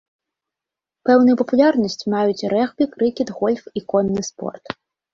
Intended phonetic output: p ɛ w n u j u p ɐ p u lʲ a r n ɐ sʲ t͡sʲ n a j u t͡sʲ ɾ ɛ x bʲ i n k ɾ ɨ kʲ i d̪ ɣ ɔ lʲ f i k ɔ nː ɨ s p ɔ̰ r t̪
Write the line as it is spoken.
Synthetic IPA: p ɛ w n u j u p ɐ p u lʲ a r n ɐ sʲ t͡sʲ m a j u t͡sʲ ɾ ɛ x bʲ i k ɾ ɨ kʲ i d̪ ɣ ɔ lʲ f i k ɔ nː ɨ s p ɔ̰ r t̪

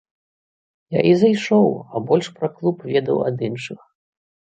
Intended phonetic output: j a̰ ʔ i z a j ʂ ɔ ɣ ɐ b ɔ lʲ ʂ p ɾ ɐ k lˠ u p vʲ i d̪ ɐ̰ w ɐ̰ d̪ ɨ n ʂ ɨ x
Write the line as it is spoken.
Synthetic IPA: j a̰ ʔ i z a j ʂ ɔ w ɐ b ɔ lʲ ʂ p ɾ ɐ k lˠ u p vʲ ɛ d̪ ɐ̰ w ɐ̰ d̪ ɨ n ʂ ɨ x

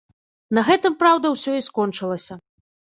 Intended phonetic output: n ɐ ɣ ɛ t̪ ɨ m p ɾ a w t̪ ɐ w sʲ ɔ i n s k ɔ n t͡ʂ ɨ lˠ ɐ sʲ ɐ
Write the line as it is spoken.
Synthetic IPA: n ɐ ɣ ɛ t̪ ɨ m p ɾ a w d̪ ɐ w sʲ ɔ i s k ɔ n t͡ʂ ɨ lˠ ɐ sʲ ɐ

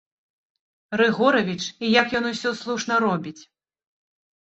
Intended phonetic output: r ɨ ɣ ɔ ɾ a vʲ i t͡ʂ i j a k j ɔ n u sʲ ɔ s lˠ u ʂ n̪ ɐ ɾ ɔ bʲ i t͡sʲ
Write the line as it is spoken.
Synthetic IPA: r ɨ ɣ ɔ ɾ ɐ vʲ i t͡ʂ i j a k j ɔ n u sʲ ɔ s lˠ u ʂ n̪ ɐ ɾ ɔ bʲ i t͡sʲ

